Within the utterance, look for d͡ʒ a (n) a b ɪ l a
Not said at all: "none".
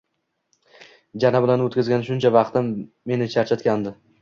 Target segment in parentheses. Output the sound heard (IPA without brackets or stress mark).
n